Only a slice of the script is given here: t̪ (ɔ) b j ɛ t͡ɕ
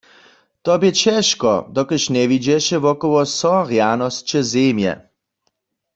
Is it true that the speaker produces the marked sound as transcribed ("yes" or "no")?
yes